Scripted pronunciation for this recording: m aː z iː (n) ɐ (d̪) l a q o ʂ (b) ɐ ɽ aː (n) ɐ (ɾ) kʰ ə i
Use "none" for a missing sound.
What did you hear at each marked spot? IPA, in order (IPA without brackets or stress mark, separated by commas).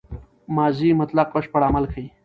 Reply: m, t̪, p, m, l